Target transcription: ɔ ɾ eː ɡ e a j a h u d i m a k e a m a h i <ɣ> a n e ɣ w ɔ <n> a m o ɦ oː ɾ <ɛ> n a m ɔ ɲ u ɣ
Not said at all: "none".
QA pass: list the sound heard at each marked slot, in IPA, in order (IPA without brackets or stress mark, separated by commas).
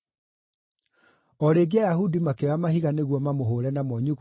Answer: ɣ, m, ɛ